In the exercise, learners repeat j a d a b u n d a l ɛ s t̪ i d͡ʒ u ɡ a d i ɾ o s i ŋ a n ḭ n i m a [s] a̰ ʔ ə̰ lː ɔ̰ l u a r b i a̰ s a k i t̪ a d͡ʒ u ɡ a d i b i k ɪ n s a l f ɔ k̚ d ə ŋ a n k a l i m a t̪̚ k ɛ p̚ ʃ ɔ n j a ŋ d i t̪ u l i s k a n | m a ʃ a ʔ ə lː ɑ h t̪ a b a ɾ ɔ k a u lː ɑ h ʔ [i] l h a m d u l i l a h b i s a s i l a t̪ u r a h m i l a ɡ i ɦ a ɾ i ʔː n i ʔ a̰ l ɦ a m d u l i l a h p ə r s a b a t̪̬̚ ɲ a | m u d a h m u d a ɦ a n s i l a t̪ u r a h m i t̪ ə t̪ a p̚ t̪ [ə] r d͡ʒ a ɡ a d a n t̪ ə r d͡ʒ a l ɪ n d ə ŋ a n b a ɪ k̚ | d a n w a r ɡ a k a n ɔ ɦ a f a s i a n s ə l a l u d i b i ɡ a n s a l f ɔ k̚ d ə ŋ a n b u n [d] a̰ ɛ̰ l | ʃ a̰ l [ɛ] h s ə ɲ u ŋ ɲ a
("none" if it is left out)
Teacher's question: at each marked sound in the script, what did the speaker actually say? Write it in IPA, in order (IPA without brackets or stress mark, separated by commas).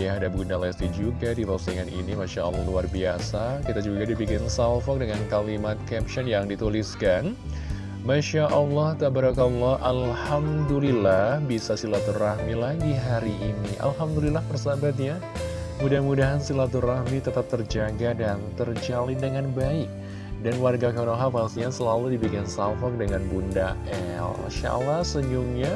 ʃ, a, ə, d, a